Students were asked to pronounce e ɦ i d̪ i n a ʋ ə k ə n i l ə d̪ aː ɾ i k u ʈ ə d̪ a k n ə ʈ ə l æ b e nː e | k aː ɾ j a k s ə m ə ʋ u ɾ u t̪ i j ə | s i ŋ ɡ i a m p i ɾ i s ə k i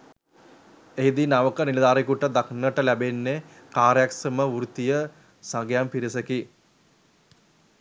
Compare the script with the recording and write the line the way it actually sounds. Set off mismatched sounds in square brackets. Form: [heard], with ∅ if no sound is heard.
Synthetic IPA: e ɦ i d̪ i n a ʋ ə k ə n i l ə d̪ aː ɾ i k u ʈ ə d̪ a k n ə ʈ ə l æ b e nː e | k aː ɾ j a k s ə m ə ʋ u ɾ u t̪ i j ə | s [a] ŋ ɡ [j] a m p i ɾ i s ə k i